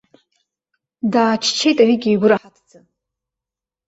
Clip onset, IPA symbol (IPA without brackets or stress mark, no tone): d